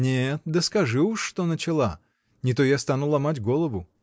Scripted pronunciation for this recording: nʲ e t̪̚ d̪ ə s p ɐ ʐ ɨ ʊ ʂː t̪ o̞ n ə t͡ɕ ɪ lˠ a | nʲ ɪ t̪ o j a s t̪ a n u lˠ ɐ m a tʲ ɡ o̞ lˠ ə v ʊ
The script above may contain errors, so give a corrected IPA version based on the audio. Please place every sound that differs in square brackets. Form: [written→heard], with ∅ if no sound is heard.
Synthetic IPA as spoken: nʲ e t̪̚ d̪ ə s [p→k] ɐ ʐ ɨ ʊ ʂː t̪ o̞ n ə t͡ɕ ɪ lˠ a | nʲ ɪ t̪ o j a s t̪ a n u lˠ ɐ m a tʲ ɡ o̞ lˠ ə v ʊ